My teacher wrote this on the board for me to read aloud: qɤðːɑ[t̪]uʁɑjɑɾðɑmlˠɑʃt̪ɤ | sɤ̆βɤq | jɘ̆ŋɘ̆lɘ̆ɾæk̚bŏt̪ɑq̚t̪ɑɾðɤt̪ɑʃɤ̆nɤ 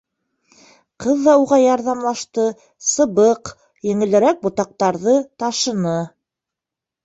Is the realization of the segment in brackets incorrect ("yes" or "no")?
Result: yes